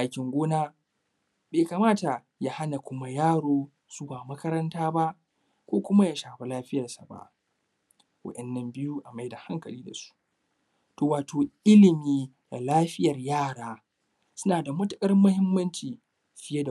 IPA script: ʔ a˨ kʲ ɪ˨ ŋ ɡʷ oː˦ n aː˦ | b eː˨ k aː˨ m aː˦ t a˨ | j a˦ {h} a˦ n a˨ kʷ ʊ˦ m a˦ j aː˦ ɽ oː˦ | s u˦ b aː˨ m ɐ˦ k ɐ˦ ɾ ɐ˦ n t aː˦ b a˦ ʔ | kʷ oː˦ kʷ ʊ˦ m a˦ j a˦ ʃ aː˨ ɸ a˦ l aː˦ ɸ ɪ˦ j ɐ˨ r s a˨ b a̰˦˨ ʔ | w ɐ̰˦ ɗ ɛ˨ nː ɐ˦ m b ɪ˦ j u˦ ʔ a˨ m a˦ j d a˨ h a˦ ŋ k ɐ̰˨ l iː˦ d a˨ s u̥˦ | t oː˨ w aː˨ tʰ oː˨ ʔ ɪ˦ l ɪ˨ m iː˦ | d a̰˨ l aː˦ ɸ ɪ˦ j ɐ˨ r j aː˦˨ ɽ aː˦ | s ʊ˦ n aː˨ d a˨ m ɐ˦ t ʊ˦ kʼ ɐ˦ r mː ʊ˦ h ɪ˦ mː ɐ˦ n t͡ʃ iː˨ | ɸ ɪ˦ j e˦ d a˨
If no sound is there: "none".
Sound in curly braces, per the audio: h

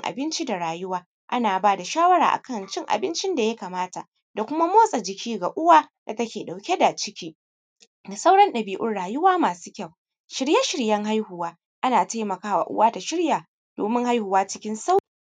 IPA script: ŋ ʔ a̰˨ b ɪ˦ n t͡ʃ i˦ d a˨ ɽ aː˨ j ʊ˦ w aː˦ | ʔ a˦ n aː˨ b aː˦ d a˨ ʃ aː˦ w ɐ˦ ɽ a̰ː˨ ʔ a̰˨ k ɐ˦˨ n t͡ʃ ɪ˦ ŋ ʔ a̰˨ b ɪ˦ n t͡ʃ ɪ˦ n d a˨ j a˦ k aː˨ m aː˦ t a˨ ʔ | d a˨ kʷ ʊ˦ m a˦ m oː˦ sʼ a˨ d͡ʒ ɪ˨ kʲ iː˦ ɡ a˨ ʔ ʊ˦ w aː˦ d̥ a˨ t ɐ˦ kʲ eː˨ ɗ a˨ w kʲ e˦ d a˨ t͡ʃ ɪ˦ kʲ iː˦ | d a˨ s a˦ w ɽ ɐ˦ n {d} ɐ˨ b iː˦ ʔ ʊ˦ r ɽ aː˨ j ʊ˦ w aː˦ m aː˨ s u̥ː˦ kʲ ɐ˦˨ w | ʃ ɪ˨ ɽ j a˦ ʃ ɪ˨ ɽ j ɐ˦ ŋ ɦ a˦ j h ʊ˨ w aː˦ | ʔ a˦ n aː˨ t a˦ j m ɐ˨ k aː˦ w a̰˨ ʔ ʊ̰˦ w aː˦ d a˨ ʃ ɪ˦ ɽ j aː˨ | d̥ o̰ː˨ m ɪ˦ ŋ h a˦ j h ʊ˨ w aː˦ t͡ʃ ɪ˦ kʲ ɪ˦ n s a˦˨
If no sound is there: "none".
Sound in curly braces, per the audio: ɗ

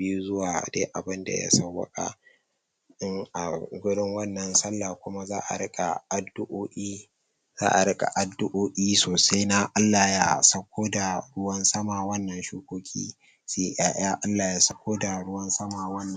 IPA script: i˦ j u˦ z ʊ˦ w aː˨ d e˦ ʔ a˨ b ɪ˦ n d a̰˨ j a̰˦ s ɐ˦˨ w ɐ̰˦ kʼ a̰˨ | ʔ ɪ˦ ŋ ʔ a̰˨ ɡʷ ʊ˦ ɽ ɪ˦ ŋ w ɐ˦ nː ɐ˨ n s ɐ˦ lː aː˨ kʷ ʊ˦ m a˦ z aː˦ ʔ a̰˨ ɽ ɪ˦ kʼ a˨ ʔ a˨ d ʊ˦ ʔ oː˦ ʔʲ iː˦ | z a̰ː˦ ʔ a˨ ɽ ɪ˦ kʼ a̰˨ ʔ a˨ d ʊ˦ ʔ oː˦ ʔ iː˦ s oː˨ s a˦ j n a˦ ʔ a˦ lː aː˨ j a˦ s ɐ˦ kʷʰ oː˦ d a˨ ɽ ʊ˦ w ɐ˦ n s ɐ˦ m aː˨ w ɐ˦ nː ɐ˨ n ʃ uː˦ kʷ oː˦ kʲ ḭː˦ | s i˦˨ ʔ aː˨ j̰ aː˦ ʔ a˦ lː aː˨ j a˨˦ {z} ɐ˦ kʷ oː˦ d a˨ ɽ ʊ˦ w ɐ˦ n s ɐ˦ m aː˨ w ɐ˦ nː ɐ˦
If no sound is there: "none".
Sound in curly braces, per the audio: s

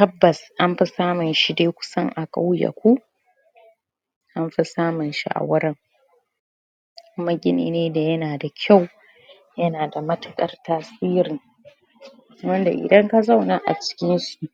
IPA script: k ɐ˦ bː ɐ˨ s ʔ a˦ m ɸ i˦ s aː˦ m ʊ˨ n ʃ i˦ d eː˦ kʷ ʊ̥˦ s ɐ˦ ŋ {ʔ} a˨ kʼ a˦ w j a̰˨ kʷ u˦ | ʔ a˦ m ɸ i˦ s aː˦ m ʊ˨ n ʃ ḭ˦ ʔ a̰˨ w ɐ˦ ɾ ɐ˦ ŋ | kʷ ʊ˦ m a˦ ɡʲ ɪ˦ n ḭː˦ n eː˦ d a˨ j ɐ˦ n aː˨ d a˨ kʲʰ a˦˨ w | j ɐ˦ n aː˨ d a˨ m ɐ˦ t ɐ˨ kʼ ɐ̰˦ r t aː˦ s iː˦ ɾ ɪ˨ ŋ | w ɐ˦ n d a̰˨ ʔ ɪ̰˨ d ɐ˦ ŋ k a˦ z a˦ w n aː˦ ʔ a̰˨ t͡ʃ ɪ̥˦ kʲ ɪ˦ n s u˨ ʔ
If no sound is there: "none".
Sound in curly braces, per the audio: ʔ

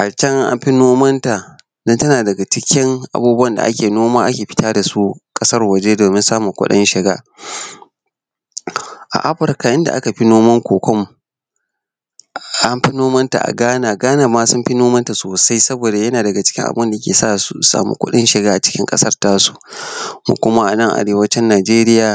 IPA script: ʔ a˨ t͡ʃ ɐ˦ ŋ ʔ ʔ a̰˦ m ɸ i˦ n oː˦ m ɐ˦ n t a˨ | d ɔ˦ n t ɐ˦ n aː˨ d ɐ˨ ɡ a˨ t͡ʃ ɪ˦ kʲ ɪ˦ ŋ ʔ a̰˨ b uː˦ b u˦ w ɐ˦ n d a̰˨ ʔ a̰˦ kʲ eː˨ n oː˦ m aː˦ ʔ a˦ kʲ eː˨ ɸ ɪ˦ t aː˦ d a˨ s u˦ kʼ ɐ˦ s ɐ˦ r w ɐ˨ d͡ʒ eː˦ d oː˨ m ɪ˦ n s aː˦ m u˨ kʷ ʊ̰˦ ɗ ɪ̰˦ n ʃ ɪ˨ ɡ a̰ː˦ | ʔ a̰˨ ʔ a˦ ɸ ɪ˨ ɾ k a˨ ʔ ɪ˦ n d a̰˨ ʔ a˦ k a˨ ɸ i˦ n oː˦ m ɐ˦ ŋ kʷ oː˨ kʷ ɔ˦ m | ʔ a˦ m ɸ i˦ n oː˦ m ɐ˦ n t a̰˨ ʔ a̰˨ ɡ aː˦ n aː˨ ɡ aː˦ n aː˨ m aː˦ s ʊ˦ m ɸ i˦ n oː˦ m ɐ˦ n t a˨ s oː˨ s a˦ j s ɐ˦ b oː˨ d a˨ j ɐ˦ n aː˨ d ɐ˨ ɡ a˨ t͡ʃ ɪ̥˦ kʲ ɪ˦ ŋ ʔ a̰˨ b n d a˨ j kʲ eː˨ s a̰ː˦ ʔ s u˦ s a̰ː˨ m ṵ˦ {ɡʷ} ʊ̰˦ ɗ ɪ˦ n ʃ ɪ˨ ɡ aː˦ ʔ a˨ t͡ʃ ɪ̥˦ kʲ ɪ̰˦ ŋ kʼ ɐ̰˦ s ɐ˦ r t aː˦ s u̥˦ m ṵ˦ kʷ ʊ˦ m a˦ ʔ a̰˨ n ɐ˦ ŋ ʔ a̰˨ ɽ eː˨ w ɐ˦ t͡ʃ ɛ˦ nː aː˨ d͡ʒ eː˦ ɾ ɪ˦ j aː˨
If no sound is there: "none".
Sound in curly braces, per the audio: kʷ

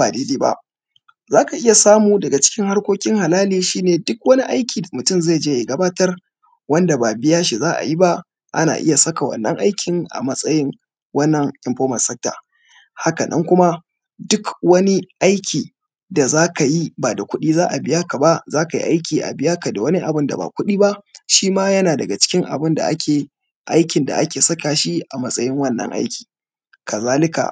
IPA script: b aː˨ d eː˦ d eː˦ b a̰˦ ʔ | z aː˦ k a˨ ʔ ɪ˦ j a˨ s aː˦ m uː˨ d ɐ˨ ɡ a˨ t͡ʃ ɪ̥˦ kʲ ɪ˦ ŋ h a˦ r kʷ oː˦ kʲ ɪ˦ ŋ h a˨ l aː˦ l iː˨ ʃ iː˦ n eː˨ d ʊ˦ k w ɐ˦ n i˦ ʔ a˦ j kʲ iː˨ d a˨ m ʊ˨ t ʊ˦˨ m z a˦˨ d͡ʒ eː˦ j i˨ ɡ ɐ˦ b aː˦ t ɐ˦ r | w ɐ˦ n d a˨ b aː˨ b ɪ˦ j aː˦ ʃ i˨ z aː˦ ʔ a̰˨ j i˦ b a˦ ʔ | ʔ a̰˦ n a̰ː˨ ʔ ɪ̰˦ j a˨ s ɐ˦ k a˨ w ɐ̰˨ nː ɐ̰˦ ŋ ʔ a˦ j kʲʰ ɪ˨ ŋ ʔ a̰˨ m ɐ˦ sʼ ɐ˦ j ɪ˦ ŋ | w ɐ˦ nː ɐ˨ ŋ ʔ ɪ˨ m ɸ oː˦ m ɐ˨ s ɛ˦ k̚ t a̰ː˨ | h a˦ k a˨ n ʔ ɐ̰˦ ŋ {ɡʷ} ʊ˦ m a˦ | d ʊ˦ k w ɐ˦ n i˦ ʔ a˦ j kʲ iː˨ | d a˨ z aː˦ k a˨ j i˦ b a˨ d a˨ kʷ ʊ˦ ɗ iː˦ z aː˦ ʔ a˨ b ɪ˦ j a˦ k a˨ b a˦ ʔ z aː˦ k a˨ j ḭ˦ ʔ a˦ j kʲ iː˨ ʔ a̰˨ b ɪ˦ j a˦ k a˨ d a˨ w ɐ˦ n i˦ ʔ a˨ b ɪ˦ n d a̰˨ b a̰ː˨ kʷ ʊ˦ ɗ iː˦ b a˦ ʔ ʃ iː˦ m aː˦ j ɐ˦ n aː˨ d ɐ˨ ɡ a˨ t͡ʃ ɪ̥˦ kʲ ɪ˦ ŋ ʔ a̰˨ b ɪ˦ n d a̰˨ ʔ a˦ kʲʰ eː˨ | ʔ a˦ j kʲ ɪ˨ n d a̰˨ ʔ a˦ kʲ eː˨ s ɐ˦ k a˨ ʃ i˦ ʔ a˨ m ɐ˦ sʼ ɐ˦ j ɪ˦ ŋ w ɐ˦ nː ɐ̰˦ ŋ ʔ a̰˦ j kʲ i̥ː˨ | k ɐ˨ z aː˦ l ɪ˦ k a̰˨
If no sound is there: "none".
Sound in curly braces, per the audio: kʷ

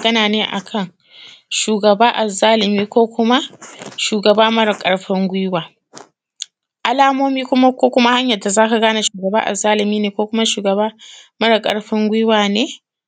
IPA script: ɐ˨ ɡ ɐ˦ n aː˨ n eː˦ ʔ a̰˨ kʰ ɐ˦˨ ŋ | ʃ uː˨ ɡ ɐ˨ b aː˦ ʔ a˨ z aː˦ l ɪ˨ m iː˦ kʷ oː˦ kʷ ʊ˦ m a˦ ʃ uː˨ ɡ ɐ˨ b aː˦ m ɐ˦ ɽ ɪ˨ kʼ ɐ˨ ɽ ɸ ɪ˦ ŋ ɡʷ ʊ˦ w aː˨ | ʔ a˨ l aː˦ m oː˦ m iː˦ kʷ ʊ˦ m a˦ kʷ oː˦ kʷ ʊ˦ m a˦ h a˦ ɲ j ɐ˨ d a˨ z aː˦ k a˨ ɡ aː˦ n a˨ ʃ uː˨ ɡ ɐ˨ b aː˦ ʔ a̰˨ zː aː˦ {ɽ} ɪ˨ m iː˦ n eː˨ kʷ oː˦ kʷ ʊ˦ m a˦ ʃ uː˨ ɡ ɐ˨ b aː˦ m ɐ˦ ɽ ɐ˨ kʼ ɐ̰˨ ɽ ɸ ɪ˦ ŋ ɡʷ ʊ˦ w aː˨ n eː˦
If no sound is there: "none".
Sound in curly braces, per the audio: l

